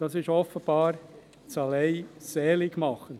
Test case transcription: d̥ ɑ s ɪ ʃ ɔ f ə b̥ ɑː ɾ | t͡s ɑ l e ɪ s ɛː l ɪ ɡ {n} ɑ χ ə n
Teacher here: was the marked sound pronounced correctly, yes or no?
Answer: no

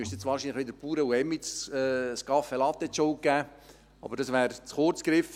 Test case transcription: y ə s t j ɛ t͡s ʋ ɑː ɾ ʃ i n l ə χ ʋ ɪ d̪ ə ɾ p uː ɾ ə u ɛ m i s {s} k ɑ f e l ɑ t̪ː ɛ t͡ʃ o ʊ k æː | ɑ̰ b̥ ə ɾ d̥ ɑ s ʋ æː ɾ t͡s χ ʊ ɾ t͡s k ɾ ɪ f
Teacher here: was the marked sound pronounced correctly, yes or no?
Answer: yes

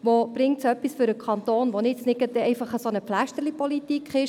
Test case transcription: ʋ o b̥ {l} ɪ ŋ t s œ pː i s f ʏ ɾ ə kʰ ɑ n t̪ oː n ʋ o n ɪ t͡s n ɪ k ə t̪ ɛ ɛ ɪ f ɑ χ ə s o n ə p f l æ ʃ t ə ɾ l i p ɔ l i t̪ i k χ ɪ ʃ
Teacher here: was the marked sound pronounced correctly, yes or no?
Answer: no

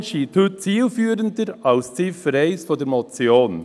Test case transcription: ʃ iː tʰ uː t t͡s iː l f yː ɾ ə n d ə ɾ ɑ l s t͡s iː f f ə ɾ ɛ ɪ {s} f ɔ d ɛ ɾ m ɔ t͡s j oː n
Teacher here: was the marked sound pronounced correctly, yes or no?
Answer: yes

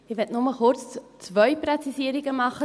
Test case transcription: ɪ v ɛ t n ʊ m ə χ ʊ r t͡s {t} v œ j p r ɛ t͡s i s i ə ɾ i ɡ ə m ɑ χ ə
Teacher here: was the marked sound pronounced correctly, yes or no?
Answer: no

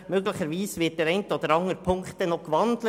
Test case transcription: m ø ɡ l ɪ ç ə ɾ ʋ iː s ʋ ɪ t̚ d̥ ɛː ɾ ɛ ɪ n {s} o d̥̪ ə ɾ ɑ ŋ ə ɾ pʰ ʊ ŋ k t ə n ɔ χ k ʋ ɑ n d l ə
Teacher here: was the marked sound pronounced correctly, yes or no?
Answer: no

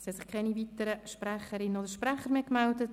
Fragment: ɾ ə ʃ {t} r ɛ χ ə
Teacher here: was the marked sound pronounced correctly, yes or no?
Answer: no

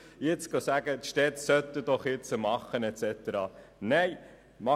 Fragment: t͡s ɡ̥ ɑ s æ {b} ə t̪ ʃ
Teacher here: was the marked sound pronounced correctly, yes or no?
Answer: no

